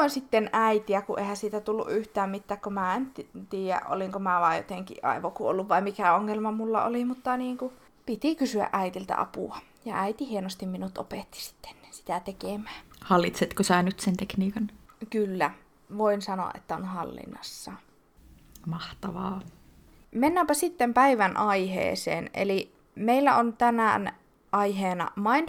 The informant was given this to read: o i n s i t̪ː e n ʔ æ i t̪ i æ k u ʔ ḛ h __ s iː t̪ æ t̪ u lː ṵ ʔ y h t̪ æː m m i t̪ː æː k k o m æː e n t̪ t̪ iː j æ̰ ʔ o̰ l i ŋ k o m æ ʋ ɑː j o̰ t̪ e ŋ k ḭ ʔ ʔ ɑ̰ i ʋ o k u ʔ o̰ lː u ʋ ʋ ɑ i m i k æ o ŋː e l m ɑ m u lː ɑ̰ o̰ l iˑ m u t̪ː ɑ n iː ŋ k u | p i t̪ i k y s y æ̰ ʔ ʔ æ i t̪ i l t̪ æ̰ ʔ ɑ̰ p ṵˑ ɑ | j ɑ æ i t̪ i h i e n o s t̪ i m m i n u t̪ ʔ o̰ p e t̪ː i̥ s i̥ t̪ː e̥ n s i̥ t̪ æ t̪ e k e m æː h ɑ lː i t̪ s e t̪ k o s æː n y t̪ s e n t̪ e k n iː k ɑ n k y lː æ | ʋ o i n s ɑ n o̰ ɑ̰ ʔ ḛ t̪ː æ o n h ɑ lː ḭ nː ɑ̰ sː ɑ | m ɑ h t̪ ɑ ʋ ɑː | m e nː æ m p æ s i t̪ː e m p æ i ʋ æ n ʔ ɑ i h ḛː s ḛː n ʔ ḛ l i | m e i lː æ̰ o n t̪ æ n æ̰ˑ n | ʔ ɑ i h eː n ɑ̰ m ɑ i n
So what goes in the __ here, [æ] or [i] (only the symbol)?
æ